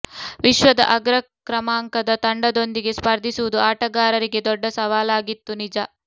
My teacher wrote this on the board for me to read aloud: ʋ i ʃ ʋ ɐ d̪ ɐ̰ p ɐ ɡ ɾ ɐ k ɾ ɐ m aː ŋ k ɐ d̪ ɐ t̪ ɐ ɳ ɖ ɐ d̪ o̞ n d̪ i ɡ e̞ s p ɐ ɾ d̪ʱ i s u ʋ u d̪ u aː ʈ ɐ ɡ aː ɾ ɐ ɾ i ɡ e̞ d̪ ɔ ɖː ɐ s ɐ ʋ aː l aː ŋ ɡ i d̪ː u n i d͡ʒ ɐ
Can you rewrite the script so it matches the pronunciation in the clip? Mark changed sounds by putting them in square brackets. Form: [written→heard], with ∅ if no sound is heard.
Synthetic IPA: ʋ i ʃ ʋ ɐ d̪ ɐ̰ [p→ʔ] ɐ ɡ ɾ ɐ k ɾ ɐ m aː ŋ k ɐ d̪ ɐ t̪ ɐ ɳ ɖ ɐ d̪ o̞ n d̪ i ɡ e̞ s p ɐ ɾ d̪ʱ i s u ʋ u d̪ u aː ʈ ɐ ɡ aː ɾ ɐ ɾ i ɡ e̞ d̪ ɔ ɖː ɐ s ɐ ʋ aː l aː [ŋ→∅] ɡ i [d̪ː→t̪ː] u n i d͡ʒ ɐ

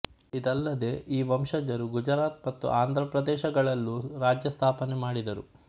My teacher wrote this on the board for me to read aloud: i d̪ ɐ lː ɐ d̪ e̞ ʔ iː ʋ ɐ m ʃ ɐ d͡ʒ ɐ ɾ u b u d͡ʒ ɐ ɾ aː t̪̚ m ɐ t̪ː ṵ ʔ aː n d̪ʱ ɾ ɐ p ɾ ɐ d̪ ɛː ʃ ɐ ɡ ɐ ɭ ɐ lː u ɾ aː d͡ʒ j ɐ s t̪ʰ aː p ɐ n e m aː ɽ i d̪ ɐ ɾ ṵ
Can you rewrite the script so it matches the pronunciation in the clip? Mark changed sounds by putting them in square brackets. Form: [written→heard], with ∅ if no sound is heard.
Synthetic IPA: i d̪ ɐ lː ɐ d̪ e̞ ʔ iː ʋ ɐ m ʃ ɐ d͡ʒ ɐ ɾ u [b→ɡ] u d͡ʒ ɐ ɾ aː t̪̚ m ɐ t̪ː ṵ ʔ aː n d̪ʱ ɾ ɐ p ɾ ɐ d̪ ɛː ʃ ɐ ɡ ɐ ɭ ɐ lː u ɾ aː d͡ʒ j ɐ s t̪ʰ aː p ɐ n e m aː ɽ i d̪ ɐ ɾ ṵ

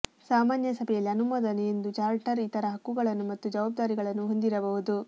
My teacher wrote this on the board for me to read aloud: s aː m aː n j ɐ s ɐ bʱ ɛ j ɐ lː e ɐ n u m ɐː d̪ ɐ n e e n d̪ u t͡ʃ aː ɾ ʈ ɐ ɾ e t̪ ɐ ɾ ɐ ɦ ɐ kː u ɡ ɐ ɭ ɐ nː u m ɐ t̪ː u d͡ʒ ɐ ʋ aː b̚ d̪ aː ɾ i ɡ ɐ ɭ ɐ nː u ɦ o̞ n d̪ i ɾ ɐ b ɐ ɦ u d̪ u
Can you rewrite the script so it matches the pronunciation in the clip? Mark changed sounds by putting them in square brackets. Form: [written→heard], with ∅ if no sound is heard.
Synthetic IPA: s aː m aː n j ɐ s ɐ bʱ ɛ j ɐ lː [e→i] ɐ n u m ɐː d̪ ɐ n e e n d̪ u t͡ʃ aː ɾ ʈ ɐ ɾ [e→i] t̪ ɐ ɾ ɐ ɦ ɐ kː u ɡ ɐ ɭ ɐ nː u m ɐ t̪ː u d͡ʒ ɐ ʋ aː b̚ d̪ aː ɾ i ɡ ɐ ɭ ɐ nː u ɦ o̞ n d̪ i ɾ ɐ b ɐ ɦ u d̪ u

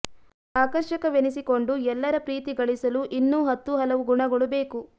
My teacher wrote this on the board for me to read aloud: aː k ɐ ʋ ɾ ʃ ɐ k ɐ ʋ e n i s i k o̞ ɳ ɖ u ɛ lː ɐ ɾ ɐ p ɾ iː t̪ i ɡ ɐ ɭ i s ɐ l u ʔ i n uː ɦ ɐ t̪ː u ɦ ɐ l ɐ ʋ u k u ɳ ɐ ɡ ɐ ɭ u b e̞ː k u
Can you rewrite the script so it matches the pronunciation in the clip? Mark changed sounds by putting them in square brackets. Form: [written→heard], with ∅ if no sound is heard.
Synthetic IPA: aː k ɐ [ʋ→∅] ɾ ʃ ɐ k ɐ ʋ e n i s i k o̞ ɳ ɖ u ɛ lː ɐ ɾ ɐ p ɾ iː t̪ i ɡ ɐ ɭ i s ɐ l u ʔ i [n→nː] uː ɦ ɐ t̪ː u ɦ ɐ l ɐ ʋ u [k→ɡ] u ɳ ɐ ɡ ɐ ɭ u b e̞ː k u

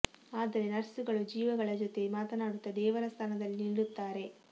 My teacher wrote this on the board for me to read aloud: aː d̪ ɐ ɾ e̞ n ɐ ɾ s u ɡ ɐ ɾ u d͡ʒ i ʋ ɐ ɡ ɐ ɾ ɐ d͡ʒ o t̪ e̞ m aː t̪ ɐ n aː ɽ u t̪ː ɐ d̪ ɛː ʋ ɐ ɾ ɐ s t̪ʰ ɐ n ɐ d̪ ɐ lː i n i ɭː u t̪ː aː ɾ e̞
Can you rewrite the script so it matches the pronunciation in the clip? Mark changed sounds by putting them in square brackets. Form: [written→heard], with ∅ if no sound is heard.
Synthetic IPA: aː d̪ ɐ ɾ e̞ n ɐ ɾ s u ɡ ɐ [ɾ→ɭ] u d͡ʒ [i→iː] ʋ ɐ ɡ ɐ [ɾ→ɭ] ɐ d͡ʒ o t̪ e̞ m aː t̪ ɐ n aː ɽ u t̪ː ɐ d̪ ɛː ʋ ɐ ɾ ɐ s t̪ʰ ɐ n ɐ d̪ ɐ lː i n i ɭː u t̪ː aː ɾ e̞

